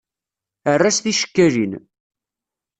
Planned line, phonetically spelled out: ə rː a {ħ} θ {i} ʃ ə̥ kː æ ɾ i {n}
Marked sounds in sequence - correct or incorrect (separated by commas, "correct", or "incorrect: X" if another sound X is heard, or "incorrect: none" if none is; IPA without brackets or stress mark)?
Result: incorrect: s, correct, correct